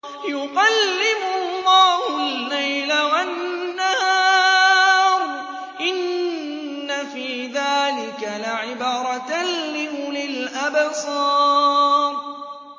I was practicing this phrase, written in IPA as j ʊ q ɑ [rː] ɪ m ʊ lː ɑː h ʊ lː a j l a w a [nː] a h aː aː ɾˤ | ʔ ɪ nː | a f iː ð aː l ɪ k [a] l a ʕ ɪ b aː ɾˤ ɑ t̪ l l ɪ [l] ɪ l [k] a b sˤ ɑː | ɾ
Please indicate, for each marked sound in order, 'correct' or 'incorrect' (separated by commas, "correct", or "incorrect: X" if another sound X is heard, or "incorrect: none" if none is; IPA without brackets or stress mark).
incorrect: lː, correct, correct, correct, incorrect: ʔ